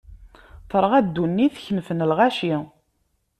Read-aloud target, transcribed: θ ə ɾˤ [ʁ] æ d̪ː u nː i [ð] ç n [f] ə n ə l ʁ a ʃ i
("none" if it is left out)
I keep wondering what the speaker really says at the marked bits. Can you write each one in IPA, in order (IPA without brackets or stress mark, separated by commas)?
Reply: ʁ, θ, f